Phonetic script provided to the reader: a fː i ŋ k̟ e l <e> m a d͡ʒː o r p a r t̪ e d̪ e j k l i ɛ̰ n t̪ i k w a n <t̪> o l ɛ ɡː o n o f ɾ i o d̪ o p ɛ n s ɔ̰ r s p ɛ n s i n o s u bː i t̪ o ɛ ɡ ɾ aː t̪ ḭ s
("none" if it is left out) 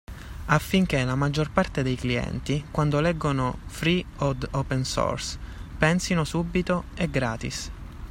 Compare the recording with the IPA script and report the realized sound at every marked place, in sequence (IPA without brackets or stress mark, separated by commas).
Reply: a, d̪